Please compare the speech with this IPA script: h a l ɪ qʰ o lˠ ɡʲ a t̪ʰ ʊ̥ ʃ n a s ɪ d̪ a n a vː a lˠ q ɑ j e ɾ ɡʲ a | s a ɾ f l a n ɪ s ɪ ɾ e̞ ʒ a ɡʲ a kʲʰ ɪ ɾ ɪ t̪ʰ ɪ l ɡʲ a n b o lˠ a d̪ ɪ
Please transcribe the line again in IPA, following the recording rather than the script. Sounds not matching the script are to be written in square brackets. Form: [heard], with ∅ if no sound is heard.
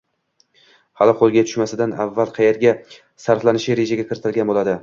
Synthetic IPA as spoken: h a l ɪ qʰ o lˠ ɡʲ a t̪ʰ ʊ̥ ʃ [m] a s ɪ d̪ a n a vː a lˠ [qʰ] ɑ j e ɾ ɡʲ a | s a ɾ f l a n ɪ [ʃ] ɪ ɾ e̞ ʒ a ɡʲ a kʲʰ ɪ ɾ ɪ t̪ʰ ɪ l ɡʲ a n b o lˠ a d̪ ɪ